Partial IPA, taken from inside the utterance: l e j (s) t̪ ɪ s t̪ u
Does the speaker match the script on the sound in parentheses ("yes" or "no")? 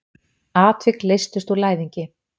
yes